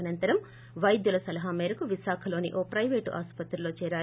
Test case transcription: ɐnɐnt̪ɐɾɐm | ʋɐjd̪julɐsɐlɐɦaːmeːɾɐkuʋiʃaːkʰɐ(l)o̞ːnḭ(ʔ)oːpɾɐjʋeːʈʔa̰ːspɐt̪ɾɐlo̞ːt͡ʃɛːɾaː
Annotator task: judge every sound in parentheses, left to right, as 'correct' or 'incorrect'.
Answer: correct, correct

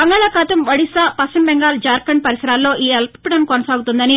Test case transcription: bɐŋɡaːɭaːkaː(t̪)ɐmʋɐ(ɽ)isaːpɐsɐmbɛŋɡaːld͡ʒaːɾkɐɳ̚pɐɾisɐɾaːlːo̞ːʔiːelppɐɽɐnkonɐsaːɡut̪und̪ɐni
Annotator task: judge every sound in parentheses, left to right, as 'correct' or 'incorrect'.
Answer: correct, correct

